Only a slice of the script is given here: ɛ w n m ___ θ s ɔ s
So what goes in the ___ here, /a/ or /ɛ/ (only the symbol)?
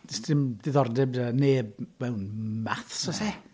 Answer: a